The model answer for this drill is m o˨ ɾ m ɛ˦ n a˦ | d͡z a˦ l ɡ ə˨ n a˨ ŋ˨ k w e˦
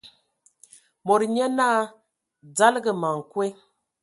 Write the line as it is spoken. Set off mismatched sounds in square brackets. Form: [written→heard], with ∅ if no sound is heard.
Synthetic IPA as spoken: m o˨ ɾ [m→ɲ] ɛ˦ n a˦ | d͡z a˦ l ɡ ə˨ [n→m] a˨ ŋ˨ k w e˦